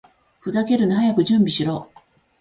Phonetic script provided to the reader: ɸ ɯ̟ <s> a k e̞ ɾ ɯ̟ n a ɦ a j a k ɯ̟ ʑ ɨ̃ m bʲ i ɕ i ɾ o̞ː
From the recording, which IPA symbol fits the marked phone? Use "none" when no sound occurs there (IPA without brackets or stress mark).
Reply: z